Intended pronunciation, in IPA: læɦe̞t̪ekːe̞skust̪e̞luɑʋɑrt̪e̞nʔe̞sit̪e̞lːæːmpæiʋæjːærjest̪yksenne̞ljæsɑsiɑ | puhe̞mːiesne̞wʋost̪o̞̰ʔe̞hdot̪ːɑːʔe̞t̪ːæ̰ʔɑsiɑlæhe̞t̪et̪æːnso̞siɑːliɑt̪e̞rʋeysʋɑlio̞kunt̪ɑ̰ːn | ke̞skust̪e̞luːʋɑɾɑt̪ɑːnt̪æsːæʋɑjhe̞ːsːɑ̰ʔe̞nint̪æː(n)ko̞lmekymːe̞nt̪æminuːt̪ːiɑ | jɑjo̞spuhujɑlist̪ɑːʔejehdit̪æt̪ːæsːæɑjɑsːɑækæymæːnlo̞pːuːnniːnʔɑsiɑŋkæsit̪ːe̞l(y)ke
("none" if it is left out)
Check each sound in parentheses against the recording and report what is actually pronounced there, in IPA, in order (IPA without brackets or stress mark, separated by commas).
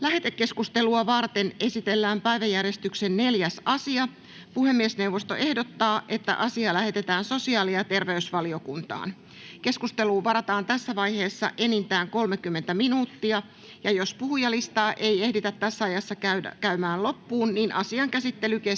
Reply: ŋ, y